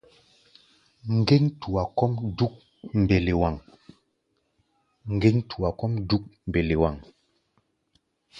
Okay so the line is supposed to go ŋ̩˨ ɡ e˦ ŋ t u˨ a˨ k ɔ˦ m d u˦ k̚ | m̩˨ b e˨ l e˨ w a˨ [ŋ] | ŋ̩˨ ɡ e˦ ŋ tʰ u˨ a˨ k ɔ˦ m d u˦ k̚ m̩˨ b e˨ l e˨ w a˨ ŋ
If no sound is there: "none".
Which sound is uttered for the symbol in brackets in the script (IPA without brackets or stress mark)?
ŋ